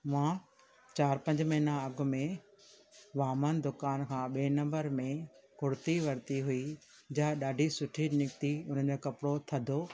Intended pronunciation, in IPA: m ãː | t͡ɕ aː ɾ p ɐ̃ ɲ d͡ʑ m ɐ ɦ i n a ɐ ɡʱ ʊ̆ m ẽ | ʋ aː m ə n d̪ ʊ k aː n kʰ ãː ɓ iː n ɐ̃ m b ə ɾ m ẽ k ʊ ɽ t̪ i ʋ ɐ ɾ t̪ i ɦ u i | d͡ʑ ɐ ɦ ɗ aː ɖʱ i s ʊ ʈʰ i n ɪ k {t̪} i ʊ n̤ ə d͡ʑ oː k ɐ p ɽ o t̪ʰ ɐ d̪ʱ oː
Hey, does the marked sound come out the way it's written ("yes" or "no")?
yes